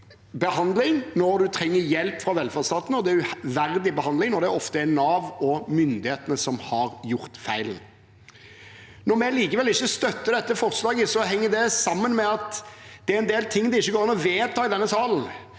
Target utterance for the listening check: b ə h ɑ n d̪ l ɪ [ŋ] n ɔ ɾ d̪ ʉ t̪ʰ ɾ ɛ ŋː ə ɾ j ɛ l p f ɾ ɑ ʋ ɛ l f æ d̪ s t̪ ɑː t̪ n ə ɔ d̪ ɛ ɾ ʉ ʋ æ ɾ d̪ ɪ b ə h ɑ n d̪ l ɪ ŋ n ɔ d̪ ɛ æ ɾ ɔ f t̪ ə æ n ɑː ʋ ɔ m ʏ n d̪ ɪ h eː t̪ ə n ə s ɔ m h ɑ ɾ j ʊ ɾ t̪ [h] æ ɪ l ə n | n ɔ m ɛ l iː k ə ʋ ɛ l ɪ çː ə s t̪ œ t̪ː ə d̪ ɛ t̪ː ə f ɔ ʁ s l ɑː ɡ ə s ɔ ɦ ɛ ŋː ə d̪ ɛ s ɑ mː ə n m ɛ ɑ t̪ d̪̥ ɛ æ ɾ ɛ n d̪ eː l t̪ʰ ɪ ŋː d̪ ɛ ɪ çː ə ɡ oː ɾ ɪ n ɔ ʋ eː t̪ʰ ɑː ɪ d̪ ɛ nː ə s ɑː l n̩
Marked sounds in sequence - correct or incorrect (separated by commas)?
correct, incorrect